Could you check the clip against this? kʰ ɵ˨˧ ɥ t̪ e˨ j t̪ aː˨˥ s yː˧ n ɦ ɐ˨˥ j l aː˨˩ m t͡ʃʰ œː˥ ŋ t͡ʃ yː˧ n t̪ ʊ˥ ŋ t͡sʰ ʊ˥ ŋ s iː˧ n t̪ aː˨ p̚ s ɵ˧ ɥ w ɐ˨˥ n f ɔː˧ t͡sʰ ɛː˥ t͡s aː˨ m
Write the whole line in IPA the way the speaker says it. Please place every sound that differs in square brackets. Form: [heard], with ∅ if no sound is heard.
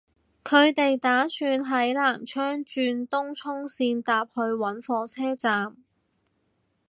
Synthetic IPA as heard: kʰ ɵ˨˧ ɥ t̪ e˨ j t̪ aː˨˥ s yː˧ n ɦ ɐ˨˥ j l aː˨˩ m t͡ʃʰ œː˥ ŋ t͡ʃ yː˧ n t̪ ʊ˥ ŋ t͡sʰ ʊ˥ ŋ s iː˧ n t̪ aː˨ p̚ [h] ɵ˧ ɥ w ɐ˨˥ n f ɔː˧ t͡sʰ ɛː˥ t͡s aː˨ m